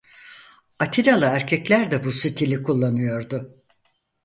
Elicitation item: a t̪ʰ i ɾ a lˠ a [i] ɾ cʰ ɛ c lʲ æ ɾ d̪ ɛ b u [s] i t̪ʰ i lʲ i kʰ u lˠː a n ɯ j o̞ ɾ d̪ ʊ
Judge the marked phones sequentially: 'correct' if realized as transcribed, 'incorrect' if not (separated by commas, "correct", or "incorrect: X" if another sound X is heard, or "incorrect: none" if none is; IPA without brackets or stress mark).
incorrect: æ, correct